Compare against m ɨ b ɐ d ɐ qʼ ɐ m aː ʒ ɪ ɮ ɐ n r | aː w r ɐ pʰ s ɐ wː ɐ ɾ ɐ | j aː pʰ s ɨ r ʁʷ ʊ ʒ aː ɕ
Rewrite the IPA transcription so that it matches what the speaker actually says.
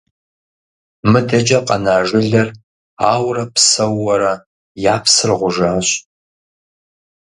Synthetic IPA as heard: m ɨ d ɐ d͡ʒ ɐ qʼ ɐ n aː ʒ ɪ ɮ ɐ r | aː w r ɐ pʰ s ɐ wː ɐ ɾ ɐ | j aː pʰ s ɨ r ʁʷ ʊ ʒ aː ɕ